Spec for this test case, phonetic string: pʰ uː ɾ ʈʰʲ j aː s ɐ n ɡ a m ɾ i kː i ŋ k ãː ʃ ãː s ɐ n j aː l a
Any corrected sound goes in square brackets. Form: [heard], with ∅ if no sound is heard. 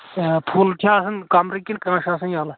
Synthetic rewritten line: pʰ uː [l] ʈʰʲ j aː s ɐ n [k] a m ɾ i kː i [n] k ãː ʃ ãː s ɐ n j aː l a